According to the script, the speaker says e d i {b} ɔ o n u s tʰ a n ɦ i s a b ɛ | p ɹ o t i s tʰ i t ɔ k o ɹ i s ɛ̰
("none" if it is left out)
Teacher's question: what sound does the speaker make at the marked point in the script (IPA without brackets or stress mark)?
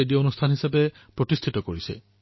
none